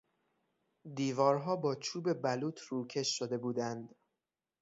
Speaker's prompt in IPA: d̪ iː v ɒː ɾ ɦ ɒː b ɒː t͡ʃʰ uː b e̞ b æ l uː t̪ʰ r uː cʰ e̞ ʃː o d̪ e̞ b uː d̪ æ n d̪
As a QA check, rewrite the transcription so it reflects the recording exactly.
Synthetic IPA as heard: d̪ iː v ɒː ɾ ɦ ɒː b ɒː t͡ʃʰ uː b e̞ b æ l uː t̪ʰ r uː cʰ e̞ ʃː o d̪ e̞ b uː d̪ æ n d̪